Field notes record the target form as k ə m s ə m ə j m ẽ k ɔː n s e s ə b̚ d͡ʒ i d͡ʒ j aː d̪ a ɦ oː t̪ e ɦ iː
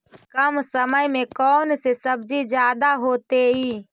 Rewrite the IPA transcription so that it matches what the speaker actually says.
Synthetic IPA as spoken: k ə m s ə m ə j m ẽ k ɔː n s e s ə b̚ d͡ʒ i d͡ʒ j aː d̪ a ɦ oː t̪ e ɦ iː